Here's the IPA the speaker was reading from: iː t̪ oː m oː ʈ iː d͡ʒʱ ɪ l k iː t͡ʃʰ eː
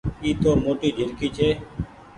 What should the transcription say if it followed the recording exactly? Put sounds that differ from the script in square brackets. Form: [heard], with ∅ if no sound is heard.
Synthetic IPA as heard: iː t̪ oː m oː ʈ iː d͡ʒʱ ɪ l k iː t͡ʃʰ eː